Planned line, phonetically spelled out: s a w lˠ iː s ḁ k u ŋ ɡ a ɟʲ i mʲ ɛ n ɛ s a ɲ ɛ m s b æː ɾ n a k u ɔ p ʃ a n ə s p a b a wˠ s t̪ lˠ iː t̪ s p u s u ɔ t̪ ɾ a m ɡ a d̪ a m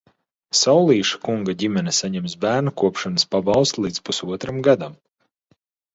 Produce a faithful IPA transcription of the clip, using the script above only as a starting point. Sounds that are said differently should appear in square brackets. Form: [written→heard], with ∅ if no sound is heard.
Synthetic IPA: s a w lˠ iː [s→ʃ] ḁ k u ŋ ɡ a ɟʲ i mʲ ɛ n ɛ s a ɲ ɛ m s b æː ɾ n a k u ɔ p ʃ a n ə s p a b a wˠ s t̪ lˠ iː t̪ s p u s u ɔ t̪ ɾ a m ɡ a d̪ a m